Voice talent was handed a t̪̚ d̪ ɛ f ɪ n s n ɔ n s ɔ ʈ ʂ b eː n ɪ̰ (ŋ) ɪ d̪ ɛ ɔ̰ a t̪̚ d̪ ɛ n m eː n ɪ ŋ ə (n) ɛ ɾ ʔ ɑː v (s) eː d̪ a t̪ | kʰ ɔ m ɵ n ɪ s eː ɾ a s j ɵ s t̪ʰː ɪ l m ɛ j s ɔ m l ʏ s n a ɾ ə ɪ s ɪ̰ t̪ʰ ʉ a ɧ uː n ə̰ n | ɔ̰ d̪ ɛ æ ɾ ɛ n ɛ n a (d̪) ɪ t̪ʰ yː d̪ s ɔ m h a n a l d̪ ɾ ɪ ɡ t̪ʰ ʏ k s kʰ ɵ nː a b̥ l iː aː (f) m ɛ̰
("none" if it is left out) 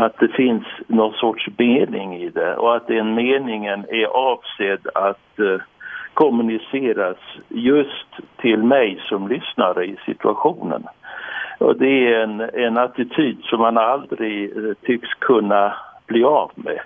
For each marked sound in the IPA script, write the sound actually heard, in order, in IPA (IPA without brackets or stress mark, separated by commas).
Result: ŋ, n, s, t̪, v